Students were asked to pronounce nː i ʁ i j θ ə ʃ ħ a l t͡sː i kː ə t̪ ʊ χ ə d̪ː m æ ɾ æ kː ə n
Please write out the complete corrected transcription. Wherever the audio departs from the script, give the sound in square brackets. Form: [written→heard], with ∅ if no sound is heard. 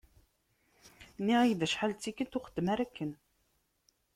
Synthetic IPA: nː i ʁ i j [θ→ð] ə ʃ ħ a l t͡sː i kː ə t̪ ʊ χ ə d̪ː m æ ɾ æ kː ə n